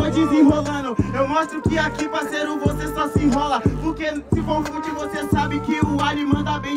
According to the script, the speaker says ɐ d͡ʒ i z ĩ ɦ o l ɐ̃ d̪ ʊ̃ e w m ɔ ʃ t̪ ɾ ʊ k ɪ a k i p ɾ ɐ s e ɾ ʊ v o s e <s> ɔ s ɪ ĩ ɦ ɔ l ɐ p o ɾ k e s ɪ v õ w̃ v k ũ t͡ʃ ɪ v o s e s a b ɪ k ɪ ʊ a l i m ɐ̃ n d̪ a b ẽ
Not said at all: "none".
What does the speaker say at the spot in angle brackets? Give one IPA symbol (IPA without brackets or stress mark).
s